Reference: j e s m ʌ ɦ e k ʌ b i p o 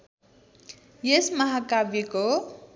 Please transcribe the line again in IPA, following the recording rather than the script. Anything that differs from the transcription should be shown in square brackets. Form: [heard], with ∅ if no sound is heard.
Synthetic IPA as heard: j e s m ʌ ɦ [a] k [a] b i [k] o